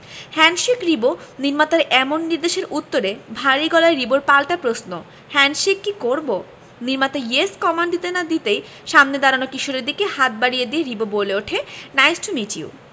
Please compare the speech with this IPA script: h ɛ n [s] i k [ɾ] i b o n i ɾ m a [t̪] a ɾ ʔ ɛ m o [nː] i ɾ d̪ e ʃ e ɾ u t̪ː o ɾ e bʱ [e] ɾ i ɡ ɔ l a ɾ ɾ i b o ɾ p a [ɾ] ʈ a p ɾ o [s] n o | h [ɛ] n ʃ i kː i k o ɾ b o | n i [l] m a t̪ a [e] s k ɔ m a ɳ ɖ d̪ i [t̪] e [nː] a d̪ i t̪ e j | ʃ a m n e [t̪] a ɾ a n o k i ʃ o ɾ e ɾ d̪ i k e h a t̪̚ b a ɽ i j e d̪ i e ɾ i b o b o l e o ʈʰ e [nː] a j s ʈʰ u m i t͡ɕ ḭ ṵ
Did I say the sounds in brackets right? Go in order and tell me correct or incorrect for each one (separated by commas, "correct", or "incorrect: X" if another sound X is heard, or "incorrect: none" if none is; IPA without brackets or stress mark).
incorrect: ʃ, correct, correct, correct, incorrect: a, incorrect: l, correct, correct, incorrect: ɾ, correct, correct, incorrect: n, incorrect: d̪, incorrect: n